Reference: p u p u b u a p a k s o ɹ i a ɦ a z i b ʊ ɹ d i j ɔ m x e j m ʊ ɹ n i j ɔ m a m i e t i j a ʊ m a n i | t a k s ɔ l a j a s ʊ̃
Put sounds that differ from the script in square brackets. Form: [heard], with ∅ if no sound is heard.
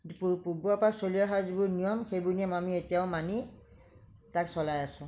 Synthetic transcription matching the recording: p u p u b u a p a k s o [l] i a ɦ a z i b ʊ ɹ [n] i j ɔ m x e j [b] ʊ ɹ n i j ɔ m a m i e t i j a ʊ m a n i | t a k s ɔ l a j a s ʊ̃